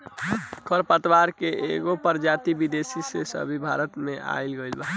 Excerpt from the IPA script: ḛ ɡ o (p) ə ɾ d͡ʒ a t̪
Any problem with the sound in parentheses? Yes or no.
no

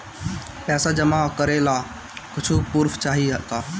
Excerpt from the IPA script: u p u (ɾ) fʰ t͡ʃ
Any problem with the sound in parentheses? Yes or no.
no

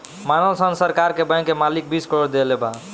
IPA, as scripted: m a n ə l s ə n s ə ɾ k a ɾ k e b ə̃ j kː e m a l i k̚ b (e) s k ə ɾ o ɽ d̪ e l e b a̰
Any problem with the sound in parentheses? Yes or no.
yes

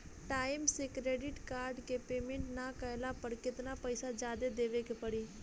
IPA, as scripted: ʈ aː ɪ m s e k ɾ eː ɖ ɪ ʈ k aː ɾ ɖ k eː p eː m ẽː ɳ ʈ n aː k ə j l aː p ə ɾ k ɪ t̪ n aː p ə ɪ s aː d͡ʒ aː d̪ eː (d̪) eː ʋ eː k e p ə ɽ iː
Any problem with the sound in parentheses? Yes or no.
no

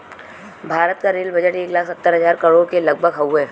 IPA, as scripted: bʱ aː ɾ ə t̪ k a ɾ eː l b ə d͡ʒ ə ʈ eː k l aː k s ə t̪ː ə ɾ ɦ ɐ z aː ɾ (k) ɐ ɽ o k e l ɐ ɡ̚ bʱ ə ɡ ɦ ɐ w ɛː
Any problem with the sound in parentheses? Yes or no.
no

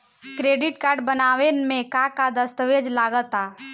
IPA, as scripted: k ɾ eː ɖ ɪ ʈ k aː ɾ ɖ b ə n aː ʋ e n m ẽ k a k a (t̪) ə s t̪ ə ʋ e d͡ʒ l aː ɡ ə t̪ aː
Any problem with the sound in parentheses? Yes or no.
yes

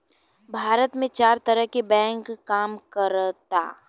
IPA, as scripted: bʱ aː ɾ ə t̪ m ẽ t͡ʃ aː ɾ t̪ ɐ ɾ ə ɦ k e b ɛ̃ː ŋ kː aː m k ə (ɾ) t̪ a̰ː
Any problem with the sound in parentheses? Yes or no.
no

